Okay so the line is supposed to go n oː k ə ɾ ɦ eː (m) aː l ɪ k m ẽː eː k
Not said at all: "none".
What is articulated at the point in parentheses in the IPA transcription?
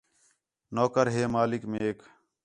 m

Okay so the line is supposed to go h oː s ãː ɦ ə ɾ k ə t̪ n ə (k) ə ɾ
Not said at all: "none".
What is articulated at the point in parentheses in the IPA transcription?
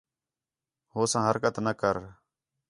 k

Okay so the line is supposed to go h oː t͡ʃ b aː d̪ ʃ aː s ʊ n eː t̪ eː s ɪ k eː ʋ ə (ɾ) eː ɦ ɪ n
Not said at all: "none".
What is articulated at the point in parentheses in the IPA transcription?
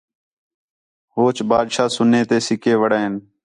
ɽ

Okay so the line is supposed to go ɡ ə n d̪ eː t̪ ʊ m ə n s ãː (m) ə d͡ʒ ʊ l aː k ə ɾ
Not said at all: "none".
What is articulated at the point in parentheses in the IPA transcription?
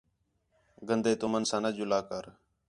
n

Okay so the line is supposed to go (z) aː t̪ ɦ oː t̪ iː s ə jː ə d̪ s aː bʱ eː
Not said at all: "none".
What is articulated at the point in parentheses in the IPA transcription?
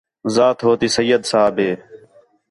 z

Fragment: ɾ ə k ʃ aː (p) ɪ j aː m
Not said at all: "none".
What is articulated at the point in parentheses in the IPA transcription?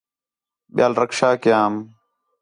k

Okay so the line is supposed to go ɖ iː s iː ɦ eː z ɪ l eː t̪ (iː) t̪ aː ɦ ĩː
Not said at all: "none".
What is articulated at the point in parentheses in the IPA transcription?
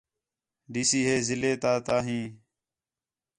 aː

